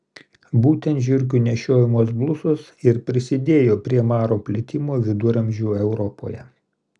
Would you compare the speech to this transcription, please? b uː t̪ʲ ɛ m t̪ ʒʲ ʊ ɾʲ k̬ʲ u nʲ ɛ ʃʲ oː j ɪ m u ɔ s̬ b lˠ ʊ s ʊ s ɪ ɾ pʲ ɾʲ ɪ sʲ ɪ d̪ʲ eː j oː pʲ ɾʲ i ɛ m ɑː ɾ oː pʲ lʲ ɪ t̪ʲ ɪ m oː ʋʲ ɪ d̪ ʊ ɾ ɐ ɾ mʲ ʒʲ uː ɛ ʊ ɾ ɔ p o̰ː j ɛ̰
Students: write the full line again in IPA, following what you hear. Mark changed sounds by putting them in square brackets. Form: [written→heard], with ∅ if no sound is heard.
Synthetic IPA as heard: b uː t̪ʲ ɛ [m→n] t̪ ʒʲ ʊ ɾʲ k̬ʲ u nʲ ɛ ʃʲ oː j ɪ m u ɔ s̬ b lˠ ʊ s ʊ s ɪ ɾ pʲ ɾʲ ɪ sʲ ɪ d̪ʲ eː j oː pʲ ɾʲ i ɛ m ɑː ɾ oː pʲ lʲ ɪ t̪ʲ ɪ m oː ʋʲ ɪ d̪ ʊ ɾ ɐ [ɾ→∅] mʲ ʒʲ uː ɛ ʊ ɾ ɔ p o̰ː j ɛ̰